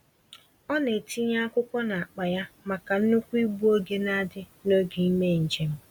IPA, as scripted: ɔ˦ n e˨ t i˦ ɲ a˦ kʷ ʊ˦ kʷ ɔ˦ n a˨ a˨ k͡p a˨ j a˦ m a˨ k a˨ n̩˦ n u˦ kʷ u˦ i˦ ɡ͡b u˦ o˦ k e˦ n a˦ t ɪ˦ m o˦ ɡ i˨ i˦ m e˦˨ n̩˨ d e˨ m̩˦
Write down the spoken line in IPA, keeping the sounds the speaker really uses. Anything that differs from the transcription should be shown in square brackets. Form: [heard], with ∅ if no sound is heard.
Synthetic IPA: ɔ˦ n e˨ t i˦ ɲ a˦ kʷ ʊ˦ kʷ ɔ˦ n a˨ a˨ k͡p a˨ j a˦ m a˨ k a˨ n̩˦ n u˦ kʷ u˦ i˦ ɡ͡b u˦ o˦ [ɡ] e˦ n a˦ [d] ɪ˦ [n] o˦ ɡ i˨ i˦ m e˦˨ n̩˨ [d͡ʒ] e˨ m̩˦

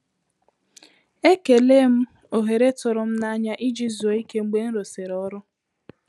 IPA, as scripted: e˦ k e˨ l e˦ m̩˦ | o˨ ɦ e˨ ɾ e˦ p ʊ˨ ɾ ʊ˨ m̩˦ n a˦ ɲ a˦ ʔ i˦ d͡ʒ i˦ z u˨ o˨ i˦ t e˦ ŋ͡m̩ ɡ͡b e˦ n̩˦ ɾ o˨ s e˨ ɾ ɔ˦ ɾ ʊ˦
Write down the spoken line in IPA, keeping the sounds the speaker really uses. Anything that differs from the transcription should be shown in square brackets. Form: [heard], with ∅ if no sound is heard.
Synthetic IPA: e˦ k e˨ l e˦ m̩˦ | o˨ ɦ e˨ ɾ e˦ [t] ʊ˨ ɾ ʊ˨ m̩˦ n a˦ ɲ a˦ ʔ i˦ d͡ʒ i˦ z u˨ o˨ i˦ [k] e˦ ŋ͡m̩ ɡ͡b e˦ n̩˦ ɾ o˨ s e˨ ɾ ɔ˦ ɾ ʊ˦

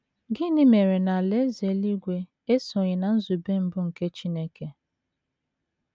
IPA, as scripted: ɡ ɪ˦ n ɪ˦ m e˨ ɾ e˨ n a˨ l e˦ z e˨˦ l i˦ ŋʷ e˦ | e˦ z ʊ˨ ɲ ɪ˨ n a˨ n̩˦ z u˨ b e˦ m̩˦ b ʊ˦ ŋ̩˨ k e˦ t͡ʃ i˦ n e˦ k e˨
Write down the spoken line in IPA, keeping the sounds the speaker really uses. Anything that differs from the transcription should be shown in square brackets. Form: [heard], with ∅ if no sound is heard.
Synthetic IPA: ɡ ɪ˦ n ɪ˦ m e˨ ɾ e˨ n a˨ l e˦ z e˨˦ l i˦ [ɡʷ] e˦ | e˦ [s] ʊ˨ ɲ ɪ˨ n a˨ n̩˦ z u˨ b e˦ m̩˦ b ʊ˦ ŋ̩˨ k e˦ t͡ʃ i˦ n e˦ k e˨

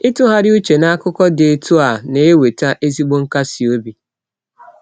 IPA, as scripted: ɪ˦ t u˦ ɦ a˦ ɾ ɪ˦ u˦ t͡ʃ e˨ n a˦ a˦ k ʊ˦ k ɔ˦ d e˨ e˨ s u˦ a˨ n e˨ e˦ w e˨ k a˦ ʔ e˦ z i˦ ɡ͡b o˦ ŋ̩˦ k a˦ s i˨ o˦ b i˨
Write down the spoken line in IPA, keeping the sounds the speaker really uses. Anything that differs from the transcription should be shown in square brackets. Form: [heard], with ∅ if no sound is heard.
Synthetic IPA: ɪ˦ t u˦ ɦ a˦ ɾ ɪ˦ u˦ t͡ʃ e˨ n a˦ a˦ k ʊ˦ k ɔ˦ d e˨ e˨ [t] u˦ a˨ n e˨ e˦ w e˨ [t] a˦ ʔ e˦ z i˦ ɡ͡b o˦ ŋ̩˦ k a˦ s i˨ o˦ b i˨

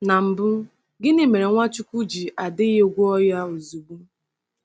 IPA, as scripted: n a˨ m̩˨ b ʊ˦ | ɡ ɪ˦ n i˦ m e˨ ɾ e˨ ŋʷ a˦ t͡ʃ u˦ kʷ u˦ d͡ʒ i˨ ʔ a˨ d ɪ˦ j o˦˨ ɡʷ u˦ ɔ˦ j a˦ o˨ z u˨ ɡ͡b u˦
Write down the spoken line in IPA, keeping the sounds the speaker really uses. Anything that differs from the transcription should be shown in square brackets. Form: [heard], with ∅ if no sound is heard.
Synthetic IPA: n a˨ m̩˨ b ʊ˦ | ɡ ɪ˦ n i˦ m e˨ ɾ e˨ ŋʷ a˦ t͡ʃ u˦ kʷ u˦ d͡ʒ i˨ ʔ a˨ d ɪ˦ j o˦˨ ɡʷ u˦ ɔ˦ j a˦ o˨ z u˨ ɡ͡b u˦

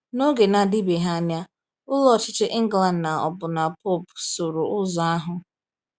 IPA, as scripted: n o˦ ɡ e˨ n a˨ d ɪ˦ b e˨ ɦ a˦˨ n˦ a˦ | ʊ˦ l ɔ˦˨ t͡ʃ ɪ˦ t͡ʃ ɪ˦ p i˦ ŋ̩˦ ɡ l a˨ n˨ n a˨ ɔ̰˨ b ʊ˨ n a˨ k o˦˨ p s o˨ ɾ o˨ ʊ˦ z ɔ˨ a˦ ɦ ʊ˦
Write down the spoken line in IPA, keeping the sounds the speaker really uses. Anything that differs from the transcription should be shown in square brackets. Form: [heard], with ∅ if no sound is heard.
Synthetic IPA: n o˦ ɡ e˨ n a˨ d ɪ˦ b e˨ ɦ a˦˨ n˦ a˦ | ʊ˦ l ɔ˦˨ t͡ʃ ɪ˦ t͡ʃ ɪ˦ [ʔ] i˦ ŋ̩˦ ɡ l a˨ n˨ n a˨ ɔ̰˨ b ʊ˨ n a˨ [p] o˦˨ p s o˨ ɾ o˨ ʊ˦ z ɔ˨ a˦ ɦ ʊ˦

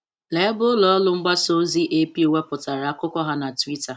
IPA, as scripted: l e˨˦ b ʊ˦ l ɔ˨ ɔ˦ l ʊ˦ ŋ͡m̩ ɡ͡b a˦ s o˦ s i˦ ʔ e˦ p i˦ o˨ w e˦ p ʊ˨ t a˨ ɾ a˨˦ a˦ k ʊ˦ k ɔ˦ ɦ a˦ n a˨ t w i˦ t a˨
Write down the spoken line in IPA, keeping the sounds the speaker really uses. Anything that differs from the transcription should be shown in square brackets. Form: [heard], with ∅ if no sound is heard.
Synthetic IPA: l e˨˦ b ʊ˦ l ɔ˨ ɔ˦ l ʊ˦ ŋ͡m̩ ɡ͡b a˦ s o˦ [z] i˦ ʔ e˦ p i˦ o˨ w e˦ p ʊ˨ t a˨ ɾ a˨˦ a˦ k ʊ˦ k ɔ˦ ɦ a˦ n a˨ t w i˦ t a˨

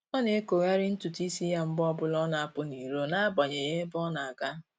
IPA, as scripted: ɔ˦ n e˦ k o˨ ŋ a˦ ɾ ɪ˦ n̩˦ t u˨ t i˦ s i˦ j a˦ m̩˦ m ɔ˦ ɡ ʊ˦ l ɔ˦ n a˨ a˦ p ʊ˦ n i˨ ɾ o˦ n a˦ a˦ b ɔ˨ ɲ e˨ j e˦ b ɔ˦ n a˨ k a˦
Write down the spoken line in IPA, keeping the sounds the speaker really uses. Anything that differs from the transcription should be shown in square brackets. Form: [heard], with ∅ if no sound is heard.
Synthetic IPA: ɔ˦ n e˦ k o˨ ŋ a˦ ɾ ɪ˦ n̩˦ t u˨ t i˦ s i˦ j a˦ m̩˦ [b] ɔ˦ [b] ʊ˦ l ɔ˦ n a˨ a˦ p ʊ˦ n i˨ ɾ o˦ n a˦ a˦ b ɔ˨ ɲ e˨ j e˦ b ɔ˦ n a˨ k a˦

